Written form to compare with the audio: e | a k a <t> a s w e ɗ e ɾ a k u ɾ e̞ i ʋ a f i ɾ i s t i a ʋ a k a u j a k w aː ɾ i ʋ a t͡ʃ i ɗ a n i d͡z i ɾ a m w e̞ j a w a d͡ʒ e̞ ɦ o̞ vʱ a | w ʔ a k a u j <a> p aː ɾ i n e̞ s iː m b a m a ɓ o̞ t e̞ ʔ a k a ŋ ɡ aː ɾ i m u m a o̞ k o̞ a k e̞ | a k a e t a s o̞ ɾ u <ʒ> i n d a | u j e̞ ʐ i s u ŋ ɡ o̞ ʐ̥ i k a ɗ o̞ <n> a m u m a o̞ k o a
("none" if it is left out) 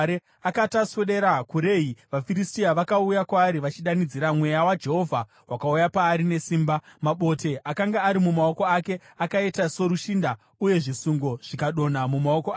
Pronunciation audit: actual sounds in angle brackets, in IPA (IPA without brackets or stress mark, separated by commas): t, a, ʃ, n